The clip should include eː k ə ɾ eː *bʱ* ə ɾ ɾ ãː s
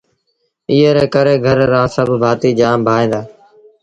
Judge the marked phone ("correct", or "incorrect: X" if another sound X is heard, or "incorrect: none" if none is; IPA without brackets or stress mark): incorrect: ɡʱ